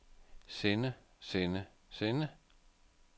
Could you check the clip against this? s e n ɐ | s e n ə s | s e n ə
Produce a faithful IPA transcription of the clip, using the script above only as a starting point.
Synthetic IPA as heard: s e n ə | s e n ə | s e n ə